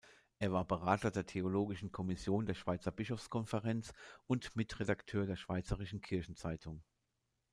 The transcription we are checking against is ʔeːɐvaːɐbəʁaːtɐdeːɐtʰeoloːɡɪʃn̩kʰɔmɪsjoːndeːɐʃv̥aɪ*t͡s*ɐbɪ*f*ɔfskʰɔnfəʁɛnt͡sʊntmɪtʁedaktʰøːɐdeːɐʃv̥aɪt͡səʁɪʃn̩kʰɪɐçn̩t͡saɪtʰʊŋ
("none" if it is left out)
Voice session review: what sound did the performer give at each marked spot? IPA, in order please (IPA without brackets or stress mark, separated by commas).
t͡s, ʃ